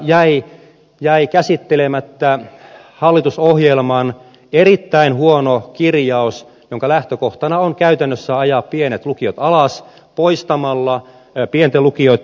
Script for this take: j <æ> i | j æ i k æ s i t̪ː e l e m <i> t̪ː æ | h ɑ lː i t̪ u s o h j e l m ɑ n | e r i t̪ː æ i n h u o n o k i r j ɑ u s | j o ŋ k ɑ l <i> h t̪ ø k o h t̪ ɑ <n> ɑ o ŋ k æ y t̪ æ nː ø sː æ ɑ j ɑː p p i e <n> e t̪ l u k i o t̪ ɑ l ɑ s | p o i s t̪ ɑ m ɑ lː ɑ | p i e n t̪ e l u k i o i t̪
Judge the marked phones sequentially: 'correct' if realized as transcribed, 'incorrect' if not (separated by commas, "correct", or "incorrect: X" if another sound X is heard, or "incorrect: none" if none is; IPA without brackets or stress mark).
correct, incorrect: æ, incorrect: æ, correct, correct